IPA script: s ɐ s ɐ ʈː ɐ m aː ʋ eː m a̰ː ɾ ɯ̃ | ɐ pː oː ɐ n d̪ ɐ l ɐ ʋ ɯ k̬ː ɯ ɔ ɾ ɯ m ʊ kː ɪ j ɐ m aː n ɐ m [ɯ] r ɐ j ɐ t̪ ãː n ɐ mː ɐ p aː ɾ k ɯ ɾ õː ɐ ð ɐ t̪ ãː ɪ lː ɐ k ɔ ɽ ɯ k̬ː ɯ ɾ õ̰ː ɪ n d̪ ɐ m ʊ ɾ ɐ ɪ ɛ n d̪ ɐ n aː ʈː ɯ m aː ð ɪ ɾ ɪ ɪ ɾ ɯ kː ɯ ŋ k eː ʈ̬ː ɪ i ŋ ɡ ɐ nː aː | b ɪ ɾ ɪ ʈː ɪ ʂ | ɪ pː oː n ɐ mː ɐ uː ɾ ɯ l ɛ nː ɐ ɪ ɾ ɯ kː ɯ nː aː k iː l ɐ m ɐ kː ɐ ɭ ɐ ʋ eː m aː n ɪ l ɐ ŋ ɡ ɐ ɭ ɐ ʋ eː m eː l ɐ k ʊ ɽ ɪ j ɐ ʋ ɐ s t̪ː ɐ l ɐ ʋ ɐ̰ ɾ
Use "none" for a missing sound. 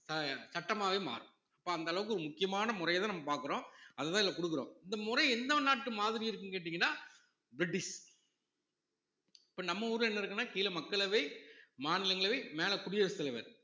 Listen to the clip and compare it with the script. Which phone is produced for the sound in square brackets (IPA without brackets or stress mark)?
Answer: ʊ